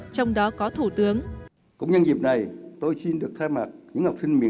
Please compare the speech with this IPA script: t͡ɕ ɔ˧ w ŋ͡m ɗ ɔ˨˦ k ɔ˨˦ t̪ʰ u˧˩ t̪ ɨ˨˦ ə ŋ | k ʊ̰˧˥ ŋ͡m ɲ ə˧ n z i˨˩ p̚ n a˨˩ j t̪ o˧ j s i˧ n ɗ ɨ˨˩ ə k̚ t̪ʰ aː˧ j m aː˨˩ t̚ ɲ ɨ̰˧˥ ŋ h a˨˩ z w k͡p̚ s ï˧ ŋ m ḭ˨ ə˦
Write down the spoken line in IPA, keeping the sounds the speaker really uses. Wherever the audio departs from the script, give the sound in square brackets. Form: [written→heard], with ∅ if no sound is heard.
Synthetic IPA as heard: t͡ɕ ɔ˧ w ŋ͡m ɗ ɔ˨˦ k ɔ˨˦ t̪ʰ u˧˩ t̪ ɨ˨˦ ə ŋ | k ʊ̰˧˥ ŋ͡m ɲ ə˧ n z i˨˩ p̚ n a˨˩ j t̪ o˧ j s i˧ n ɗ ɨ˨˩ ə k̚ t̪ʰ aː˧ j m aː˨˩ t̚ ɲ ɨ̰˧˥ ŋ h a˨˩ [z→∅] w k͡p̚ s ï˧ ŋ m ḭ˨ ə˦